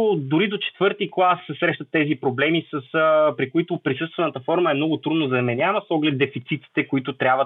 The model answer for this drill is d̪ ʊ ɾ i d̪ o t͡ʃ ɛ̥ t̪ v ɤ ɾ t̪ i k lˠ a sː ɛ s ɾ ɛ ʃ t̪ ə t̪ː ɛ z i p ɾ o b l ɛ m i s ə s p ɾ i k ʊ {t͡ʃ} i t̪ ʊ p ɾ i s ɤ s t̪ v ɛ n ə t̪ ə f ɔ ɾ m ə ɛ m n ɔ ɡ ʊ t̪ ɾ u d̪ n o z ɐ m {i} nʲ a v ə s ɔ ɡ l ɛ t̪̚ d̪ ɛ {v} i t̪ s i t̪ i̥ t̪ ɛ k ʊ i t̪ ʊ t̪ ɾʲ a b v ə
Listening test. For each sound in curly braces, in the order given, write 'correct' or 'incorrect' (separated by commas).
incorrect, incorrect, incorrect